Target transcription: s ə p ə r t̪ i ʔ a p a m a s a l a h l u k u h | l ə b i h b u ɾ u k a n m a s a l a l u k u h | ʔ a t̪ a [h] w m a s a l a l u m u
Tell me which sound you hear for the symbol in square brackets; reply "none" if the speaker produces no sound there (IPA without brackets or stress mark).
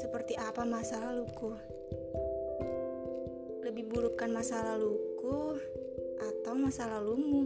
none